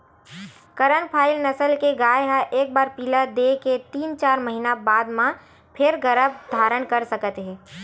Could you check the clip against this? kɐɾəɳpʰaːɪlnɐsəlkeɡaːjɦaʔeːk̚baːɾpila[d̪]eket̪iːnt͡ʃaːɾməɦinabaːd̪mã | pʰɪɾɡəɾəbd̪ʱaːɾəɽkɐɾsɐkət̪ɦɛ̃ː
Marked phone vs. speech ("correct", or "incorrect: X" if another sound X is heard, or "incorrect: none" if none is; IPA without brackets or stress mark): correct